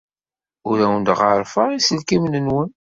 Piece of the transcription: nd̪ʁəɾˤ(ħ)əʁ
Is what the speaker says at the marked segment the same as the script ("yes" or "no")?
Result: no